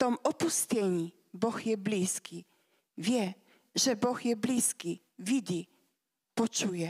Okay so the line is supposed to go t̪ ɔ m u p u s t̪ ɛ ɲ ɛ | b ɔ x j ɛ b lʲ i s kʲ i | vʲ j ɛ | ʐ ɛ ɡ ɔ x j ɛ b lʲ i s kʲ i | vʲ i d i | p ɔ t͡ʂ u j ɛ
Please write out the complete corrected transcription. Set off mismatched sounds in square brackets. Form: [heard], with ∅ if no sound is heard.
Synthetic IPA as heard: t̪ ɔ m [ɔ] p u s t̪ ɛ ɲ [i] | b ɔ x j ɛ b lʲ i s kʲ i | vʲ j ɛ | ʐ ɛ [b] ɔ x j ɛ b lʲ i s kʲ i | vʲ i [d͡ʑ] i | p ɔ t͡ʂ u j ɛ